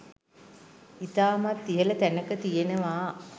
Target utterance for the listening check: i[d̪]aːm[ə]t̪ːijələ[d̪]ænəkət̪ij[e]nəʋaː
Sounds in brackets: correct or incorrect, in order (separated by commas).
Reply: incorrect, incorrect, incorrect, correct